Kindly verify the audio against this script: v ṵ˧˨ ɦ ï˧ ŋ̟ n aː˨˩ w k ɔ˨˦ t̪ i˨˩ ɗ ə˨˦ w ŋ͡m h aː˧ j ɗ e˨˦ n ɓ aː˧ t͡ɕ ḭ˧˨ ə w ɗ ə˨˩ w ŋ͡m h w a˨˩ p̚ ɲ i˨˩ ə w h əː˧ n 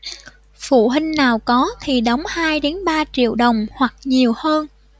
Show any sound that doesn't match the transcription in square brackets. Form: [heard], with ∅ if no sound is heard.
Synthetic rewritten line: [f] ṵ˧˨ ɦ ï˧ ŋ̟ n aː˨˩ w k ɔ˨˦ [t̪ʰ] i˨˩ ɗ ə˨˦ w ŋ͡m h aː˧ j ɗ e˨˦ n ɓ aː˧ t͡ɕ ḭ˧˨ ə w ɗ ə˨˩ w ŋ͡m h w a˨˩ [k̚] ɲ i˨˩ ə w h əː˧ n